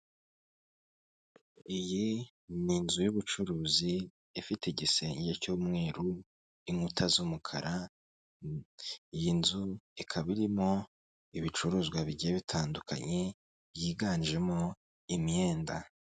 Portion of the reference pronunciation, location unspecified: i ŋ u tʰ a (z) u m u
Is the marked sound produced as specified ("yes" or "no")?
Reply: yes